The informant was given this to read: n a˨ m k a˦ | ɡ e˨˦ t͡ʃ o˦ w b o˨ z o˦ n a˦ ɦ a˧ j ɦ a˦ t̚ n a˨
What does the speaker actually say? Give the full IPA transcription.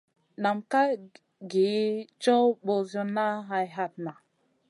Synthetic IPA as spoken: n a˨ m k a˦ | ɡ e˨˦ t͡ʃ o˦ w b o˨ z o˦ n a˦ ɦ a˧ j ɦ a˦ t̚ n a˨